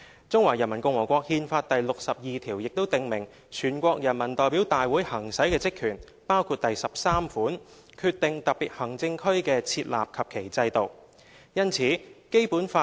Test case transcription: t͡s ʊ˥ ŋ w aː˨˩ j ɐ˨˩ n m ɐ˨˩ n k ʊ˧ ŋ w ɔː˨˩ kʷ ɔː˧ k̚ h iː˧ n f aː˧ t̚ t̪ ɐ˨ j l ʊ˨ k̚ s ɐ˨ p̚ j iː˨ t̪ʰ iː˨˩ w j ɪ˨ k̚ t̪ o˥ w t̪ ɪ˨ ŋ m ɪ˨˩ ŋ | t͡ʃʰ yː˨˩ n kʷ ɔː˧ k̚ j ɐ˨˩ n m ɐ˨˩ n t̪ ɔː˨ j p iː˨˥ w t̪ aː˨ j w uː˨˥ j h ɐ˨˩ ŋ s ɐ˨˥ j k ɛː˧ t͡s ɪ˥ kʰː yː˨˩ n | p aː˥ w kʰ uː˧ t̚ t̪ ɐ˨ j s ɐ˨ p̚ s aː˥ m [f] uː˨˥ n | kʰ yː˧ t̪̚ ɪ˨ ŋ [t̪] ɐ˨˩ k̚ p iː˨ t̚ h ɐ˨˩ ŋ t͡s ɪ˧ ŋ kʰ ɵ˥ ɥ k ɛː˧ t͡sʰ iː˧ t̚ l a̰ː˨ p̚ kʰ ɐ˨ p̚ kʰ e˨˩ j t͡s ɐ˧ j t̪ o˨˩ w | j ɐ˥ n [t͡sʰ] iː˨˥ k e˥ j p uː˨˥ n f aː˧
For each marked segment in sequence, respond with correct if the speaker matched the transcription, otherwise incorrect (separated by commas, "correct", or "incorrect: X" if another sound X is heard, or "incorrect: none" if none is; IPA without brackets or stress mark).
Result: correct, correct, correct